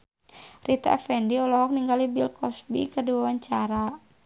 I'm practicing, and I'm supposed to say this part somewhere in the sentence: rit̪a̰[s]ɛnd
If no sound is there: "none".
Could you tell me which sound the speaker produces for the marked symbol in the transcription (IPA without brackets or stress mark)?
f